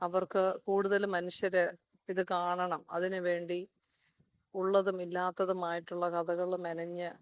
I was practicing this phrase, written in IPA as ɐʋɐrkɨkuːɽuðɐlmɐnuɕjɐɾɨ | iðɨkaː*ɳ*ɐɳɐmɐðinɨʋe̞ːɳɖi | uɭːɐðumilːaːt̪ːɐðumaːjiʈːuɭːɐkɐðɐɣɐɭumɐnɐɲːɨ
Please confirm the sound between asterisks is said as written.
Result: yes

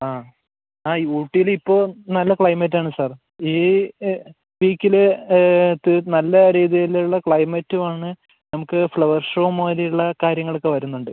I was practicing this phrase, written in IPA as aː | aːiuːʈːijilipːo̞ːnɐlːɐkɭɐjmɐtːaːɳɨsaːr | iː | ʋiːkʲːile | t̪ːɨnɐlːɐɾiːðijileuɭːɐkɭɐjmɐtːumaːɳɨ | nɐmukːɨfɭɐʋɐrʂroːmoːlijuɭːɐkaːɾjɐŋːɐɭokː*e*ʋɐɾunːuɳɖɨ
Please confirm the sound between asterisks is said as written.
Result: yes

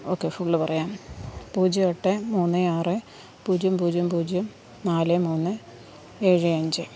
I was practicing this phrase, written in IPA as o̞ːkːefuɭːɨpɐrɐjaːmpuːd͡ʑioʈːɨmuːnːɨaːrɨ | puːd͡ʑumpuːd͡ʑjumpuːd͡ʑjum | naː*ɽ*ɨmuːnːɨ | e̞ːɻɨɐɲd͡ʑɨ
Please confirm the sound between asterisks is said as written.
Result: no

